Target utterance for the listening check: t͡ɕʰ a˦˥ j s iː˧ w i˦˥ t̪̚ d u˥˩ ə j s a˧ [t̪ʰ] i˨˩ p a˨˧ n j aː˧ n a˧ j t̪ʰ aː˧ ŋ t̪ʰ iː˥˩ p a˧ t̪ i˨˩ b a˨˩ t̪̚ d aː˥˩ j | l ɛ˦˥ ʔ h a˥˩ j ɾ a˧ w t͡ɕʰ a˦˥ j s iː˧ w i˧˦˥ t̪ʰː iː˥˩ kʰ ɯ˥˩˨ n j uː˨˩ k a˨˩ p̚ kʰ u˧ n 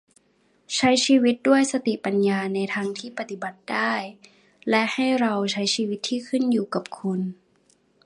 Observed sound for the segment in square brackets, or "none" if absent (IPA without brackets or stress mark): t̪